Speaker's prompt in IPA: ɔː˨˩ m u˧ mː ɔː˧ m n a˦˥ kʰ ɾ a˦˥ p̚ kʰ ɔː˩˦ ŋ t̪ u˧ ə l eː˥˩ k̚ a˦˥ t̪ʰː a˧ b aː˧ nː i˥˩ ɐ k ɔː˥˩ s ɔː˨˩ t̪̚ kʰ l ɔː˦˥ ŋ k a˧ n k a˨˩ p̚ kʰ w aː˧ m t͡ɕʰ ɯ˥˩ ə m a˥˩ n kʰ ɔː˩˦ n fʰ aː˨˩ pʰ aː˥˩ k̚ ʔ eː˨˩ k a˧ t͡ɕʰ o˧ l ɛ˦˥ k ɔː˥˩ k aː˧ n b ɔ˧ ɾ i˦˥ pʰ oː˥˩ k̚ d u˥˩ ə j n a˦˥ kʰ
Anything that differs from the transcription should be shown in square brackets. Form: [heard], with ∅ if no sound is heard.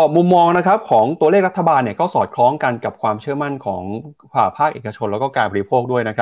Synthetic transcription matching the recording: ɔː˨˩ m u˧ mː ɔː˧ [ŋ] n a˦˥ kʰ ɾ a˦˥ p̚ kʰ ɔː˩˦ ŋ t̪ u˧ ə l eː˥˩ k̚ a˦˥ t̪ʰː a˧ b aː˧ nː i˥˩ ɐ k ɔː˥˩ s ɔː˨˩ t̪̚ kʰ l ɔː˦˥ ŋ k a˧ n k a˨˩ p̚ kʰ w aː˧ m t͡ɕʰ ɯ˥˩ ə m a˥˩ n kʰ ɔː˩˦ [ŋ] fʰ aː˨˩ pʰ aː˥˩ k̚ ʔ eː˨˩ k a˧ t͡ɕʰ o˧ l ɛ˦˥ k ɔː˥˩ k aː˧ n b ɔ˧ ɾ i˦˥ pʰ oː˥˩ k̚ d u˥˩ ə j n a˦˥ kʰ